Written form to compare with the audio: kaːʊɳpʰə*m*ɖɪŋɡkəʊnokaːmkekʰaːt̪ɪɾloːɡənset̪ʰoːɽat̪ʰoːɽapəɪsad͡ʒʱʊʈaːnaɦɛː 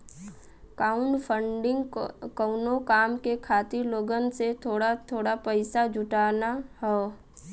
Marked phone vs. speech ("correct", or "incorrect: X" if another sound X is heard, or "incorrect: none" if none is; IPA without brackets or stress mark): incorrect: ɳ